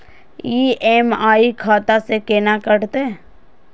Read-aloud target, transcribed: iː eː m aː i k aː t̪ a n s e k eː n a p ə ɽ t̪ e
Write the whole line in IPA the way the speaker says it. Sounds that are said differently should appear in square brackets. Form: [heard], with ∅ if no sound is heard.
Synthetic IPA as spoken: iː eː m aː i [kʰ] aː t̪ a [∅] s e k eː n a [k] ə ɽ t̪ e